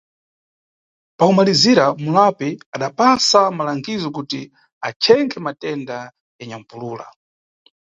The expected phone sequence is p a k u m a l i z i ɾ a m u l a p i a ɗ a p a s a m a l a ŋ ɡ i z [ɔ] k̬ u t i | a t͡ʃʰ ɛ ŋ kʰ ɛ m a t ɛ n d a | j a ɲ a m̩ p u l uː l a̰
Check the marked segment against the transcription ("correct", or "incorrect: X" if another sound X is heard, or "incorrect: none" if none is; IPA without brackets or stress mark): correct